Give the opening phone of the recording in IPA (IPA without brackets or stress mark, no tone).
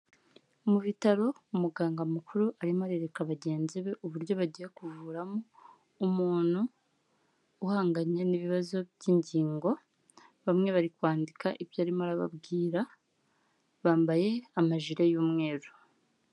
m